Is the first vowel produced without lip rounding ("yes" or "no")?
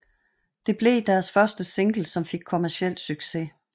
yes